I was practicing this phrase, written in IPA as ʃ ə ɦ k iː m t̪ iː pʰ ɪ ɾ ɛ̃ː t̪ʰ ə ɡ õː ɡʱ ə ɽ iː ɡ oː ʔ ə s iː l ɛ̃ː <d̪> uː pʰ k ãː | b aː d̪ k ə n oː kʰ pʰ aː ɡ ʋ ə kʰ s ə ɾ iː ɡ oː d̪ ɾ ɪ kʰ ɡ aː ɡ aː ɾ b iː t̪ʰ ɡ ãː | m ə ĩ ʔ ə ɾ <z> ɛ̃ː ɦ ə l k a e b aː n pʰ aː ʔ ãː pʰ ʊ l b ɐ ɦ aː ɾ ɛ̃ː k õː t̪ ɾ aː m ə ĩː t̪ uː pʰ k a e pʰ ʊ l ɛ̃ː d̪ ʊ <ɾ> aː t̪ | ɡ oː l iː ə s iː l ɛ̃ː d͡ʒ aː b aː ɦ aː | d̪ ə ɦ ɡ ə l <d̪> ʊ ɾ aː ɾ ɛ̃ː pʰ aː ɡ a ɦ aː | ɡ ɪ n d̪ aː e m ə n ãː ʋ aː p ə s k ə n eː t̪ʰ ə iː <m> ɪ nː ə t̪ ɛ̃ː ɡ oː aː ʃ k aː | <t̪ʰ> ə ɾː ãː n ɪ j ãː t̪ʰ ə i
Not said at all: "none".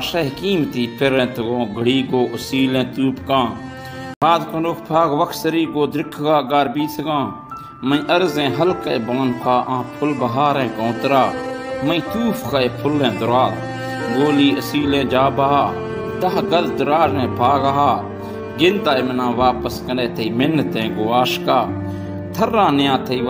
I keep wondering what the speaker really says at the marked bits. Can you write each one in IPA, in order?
t̪, z, ɾ, d̪, m, t̪ʰ

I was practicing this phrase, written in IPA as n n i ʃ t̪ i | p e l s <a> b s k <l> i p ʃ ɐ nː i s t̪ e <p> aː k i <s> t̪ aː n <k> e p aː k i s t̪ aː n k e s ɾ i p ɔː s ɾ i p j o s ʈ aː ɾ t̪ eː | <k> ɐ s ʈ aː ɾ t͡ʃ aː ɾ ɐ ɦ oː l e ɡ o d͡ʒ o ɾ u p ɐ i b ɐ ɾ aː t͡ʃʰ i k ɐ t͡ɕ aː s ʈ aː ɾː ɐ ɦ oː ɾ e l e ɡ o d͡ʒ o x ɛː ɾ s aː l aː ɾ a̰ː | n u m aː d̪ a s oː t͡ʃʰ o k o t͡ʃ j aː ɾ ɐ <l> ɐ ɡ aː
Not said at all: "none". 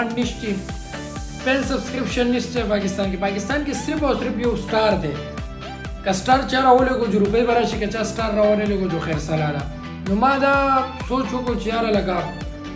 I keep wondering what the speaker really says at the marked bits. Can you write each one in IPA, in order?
ɐ, ɾ, p, s, k, k, l

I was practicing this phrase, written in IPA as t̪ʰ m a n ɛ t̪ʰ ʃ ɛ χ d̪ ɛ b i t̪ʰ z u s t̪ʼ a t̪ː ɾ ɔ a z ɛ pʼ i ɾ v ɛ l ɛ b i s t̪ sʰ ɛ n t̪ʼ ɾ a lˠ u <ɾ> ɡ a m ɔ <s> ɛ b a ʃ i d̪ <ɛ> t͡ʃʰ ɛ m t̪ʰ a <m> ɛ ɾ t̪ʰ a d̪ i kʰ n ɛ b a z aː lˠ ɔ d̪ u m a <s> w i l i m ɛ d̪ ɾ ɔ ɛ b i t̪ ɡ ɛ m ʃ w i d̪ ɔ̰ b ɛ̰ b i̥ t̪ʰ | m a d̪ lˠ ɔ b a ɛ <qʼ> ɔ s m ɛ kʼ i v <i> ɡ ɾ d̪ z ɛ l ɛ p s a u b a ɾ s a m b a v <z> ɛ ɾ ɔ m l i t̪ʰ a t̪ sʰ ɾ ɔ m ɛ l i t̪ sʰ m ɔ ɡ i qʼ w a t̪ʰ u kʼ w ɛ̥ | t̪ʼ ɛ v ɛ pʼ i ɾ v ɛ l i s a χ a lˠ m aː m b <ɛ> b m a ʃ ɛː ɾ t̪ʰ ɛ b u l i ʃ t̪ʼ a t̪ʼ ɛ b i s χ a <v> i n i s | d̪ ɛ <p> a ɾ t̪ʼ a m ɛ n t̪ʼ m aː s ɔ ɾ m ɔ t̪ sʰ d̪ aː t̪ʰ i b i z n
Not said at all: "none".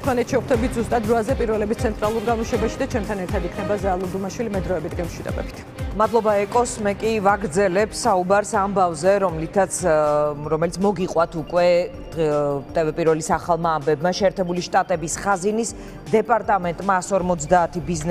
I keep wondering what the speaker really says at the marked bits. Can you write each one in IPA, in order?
ɾ, ʃ, a, n, ʃ, kʼ, a, z, ɛ, z, pʼ

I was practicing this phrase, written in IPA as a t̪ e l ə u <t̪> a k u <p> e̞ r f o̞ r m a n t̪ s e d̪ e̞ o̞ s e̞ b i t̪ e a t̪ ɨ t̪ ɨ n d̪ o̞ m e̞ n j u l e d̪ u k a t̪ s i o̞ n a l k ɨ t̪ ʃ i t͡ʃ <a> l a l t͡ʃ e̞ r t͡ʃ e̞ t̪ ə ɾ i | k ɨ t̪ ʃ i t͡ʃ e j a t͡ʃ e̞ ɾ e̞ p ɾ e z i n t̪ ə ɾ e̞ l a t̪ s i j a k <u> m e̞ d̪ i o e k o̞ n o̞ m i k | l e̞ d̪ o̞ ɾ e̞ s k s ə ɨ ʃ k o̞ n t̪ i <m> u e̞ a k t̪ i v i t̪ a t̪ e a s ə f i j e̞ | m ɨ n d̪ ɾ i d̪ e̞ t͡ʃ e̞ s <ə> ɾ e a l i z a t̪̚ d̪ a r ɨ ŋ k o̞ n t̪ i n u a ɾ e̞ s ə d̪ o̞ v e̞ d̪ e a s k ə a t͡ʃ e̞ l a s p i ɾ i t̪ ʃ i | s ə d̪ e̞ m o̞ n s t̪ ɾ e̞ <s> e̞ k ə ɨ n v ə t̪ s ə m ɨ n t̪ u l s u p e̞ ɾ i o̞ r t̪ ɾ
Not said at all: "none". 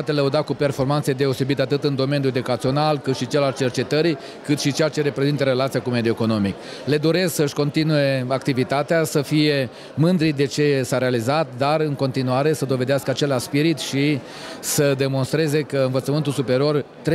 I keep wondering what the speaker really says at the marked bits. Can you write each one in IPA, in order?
d̪, p, e, u, n, a, z

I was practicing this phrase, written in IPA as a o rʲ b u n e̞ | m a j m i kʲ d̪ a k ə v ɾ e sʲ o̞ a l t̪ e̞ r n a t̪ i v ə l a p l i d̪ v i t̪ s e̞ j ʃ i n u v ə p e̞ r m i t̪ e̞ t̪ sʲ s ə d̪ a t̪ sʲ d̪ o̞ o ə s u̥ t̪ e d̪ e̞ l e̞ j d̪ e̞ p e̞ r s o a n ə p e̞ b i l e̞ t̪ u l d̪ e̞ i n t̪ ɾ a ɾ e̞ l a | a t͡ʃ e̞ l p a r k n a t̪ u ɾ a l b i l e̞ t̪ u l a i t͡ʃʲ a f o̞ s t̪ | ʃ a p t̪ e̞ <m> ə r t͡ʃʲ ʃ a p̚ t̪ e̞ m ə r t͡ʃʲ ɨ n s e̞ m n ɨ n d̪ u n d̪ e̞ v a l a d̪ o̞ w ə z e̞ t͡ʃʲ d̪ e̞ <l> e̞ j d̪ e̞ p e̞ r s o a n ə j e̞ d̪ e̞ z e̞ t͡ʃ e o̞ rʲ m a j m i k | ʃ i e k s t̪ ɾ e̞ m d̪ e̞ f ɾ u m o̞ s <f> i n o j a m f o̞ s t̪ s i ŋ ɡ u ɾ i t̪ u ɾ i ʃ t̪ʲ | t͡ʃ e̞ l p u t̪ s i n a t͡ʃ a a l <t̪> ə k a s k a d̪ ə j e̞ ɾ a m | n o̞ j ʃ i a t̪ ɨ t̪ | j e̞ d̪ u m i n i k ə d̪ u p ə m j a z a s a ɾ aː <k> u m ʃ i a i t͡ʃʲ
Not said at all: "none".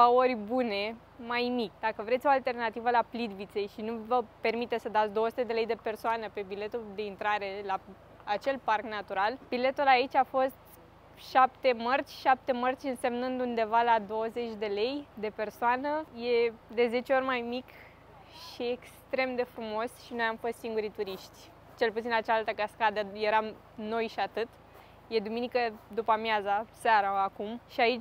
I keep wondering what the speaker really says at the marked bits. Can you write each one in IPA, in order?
m, l, ʃ, t̪, k

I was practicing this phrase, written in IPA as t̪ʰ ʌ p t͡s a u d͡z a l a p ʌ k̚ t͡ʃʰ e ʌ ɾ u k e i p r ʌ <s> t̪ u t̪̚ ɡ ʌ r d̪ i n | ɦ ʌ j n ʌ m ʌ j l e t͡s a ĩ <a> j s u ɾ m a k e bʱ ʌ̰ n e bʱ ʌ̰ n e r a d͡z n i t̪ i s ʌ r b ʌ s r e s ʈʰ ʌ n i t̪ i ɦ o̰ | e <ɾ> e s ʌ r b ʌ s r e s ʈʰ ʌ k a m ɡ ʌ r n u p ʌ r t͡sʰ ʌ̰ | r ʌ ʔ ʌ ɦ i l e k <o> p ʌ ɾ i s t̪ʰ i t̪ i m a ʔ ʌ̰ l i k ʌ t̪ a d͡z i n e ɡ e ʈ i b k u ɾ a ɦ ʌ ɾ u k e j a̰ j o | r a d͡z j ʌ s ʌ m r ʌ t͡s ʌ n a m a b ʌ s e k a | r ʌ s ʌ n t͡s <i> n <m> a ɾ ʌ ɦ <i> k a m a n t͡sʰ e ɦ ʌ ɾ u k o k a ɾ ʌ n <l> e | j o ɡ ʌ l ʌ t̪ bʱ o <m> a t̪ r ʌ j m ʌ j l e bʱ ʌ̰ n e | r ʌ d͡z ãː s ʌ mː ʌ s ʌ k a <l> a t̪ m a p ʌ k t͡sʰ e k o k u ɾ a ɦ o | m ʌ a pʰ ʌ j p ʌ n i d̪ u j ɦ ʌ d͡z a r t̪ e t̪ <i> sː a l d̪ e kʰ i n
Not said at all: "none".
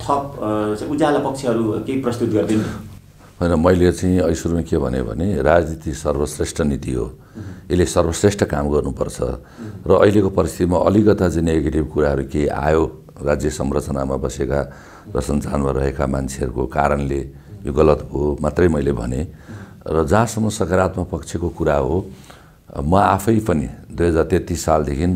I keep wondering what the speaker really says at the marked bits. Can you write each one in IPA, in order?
s, ʌ, l, o, a, m, e, l, m, ɾ, i

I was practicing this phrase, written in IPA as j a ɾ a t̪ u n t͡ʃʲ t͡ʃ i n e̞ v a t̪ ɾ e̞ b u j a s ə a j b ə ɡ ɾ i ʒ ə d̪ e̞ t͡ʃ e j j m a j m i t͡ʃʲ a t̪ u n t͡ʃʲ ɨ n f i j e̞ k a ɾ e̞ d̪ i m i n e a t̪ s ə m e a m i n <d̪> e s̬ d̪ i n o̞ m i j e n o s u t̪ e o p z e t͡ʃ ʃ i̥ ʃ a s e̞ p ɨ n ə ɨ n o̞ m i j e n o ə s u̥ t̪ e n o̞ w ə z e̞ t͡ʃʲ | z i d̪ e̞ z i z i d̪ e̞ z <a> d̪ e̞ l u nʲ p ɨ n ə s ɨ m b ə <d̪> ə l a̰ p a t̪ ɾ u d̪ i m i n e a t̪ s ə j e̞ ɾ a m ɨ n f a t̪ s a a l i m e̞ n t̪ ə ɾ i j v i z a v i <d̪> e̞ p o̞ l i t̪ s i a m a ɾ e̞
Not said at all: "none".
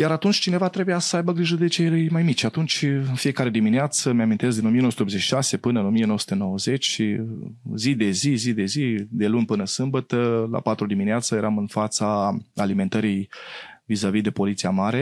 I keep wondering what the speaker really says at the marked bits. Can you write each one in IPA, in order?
t̪, i, t̪, d̪

